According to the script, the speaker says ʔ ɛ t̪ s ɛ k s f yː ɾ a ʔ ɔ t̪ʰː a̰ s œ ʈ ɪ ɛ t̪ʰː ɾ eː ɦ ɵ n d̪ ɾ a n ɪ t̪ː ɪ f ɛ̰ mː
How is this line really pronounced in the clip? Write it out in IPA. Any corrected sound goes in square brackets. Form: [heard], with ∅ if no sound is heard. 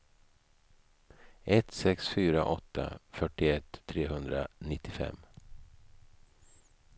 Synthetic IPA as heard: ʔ ɛ t̪ s ɛ k s f yː ɾ a ʔ ɔ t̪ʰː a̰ [f] œ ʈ ɪ ɛ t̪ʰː ɾ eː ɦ ɵ n d̪ ɾ a n ɪ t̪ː ɪ f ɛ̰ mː